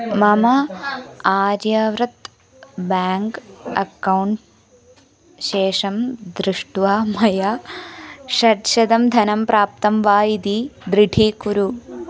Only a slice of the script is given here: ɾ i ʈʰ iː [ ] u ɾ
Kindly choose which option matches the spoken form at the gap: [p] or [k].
k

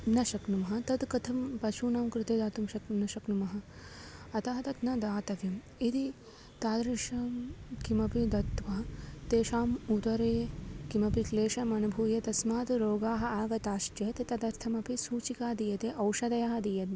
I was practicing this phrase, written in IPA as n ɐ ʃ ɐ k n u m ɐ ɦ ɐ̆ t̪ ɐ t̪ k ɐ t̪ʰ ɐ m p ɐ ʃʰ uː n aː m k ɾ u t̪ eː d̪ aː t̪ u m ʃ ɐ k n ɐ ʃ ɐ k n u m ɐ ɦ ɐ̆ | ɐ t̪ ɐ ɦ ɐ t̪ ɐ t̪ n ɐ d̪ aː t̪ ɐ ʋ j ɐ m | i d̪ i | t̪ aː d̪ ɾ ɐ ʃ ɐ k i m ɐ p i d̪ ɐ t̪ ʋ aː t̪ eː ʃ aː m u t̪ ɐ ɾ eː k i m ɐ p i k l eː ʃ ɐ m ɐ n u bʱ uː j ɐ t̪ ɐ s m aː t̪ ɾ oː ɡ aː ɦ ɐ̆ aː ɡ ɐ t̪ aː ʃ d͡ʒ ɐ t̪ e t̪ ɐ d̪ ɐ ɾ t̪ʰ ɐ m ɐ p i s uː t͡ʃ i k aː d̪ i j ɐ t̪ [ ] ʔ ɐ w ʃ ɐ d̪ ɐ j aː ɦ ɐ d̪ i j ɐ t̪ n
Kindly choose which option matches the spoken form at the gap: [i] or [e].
e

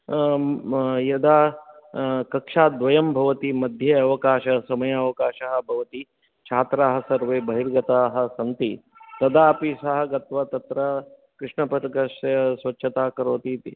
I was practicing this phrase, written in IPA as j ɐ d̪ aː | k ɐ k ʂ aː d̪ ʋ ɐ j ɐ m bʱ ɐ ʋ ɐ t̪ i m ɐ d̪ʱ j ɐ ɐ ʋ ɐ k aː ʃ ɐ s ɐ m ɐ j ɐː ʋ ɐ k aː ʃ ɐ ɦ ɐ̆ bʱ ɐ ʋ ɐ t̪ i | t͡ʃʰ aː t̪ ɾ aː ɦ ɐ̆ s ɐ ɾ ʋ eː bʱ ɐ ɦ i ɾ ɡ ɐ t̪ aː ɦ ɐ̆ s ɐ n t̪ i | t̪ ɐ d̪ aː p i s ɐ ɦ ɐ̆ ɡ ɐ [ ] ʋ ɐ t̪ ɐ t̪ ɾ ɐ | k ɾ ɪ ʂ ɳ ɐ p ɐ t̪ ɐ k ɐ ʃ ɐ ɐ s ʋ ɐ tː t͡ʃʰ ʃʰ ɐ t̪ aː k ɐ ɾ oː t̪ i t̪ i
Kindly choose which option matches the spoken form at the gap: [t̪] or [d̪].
t̪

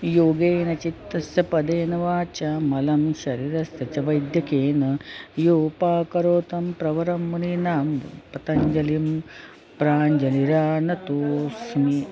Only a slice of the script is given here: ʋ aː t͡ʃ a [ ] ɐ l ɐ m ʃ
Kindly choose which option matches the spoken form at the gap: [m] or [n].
m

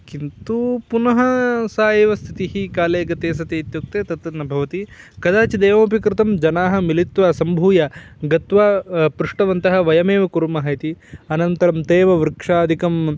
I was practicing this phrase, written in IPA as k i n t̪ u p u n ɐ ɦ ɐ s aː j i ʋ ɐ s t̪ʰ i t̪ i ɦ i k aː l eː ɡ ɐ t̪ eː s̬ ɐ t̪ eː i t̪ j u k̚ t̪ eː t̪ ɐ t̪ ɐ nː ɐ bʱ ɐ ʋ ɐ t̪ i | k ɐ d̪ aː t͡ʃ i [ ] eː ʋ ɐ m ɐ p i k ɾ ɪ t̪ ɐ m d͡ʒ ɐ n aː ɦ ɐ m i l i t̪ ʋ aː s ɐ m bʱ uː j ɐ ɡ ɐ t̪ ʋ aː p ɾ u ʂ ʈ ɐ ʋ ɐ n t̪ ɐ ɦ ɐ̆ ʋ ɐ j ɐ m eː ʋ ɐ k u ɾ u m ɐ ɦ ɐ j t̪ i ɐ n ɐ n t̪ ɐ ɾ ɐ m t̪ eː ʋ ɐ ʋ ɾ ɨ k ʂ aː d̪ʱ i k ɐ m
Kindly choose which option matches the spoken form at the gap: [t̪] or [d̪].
d̪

